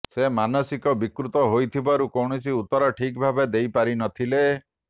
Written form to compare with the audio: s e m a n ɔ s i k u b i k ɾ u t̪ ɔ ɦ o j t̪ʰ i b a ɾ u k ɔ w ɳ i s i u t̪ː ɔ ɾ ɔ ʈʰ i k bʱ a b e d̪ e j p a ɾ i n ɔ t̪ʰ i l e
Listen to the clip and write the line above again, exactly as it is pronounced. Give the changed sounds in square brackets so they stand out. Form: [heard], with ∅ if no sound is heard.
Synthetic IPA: s e m a n ɔ s i k [ɔ] b i k ɾ u t̪ ɔ ɦ o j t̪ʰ i b a ɾ u k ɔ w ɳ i s i u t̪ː ɔ ɾ ɔ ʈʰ i k bʱ a b e d̪ e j p a ɾ i n ɔ t̪ʰ i l e